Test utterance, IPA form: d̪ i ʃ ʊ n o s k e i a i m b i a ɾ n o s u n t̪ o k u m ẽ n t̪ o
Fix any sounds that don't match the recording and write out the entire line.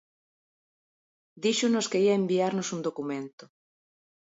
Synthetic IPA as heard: d̪ i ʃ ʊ n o s k e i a e m b i a ɾ n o s u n d̪ o k u m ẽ n t̪ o